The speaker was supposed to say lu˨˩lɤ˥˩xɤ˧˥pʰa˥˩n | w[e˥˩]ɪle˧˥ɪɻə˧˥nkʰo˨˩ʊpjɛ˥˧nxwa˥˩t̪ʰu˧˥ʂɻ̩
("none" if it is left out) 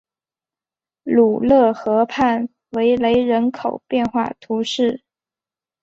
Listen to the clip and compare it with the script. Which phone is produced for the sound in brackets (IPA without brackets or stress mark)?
e˧˥